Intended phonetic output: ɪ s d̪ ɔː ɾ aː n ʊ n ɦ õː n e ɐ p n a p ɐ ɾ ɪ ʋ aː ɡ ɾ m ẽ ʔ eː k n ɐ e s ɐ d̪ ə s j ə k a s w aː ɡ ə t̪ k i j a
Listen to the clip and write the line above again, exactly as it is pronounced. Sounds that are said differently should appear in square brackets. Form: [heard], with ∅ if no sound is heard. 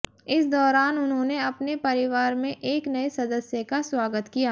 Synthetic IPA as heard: ɪ s d̪ ɔː ɾ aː n ʊ n ɦ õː n e ɐ p n [e] p ɐ ɾ ɪ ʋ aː [∅] ɾ m ẽ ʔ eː k n ɐ e s ɐ d̪ ə s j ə k a s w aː ɡ ə t̪ k i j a